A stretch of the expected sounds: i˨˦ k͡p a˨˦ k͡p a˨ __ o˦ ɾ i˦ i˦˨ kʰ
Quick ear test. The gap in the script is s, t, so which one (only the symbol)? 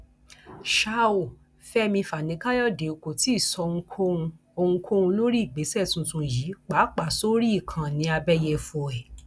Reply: s